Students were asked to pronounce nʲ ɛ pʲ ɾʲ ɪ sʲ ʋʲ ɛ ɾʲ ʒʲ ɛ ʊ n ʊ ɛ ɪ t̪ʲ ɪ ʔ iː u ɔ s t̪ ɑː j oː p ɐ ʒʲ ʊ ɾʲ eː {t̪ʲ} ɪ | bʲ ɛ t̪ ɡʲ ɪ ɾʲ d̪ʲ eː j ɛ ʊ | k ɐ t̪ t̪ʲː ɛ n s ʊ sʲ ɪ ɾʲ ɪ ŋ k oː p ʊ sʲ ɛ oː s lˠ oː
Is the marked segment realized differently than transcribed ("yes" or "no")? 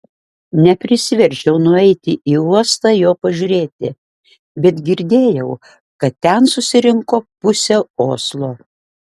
no